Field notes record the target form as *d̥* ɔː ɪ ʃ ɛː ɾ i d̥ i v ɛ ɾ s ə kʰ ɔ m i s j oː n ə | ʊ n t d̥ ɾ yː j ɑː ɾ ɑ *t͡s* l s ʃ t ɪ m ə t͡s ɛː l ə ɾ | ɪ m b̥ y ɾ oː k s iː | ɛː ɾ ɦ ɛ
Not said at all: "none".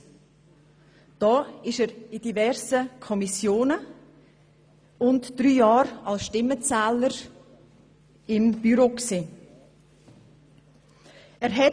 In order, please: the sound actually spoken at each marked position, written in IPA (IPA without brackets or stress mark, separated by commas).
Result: d̥, none